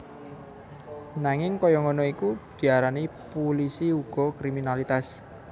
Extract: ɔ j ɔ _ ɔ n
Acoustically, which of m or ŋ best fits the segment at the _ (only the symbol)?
ŋ